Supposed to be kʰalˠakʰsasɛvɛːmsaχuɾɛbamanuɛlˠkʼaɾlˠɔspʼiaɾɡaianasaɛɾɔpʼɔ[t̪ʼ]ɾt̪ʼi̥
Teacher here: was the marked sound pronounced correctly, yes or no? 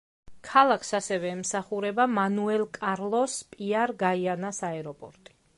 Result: no